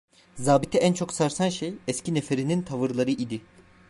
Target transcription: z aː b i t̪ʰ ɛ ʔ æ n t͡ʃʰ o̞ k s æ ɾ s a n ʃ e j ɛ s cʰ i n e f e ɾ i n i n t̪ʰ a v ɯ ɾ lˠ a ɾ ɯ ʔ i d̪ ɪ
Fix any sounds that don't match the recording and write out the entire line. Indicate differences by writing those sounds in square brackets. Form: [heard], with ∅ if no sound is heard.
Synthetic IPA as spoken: z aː b i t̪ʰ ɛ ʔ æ n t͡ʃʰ o̞ k s [a] ɾ s a n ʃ e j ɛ s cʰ i n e f e ɾ i n i n t̪ʰ a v ɯ ɾ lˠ a ɾ ɯ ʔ i d̪ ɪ